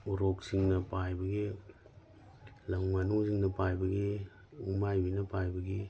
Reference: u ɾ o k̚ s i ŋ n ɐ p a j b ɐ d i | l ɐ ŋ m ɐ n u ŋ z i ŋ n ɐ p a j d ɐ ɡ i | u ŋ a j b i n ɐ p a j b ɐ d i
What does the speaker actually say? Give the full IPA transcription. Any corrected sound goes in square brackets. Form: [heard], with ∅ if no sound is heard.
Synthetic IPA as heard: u ɾ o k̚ s i ŋ n ɐ p a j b ɐ [ɡ] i | l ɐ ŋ m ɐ n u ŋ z i ŋ n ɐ p a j [b] ɐ ɡ i | u [m] a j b i n ɐ p a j b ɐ [ɡ] i